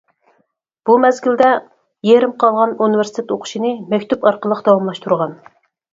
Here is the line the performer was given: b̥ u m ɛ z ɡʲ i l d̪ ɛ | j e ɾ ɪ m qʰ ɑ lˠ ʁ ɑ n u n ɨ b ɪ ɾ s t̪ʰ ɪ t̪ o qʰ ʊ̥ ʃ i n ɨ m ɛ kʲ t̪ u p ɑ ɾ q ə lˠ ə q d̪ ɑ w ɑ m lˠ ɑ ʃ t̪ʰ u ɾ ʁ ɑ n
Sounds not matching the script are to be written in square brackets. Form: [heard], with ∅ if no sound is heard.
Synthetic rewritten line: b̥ u m ɛ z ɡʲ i l d̪ ɛ | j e ɾ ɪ m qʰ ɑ lˠ ʁ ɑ n u n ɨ [v] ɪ ɾ s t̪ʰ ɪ t̪ o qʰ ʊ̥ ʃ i n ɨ m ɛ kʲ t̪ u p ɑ ɾ q ə lˠ ə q d̪ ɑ w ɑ m lˠ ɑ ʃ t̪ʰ u ɾ ʁ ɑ n